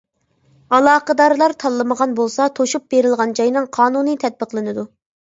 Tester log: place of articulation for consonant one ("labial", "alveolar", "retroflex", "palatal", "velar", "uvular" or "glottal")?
alveolar